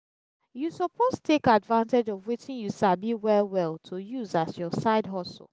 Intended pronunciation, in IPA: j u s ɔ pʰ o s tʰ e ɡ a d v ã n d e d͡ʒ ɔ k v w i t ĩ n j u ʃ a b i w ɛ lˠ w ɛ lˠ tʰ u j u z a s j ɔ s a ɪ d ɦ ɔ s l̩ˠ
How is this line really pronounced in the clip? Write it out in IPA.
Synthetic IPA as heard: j u s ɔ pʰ o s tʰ e k a d v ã n t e d͡ʒ ɔ v w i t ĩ n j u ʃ a b i w ɛ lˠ w ɛ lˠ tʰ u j u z a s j ɔ s a ɪ d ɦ ɔ s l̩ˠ